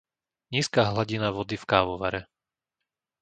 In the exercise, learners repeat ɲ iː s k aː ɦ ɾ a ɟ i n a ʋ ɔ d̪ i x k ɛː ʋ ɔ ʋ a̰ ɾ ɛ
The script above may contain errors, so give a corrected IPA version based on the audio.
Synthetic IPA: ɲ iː s k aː ɦ l a ɟ i n a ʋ ɔ d̪ i f k aː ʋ ɔ ʋ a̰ ɾ ɛ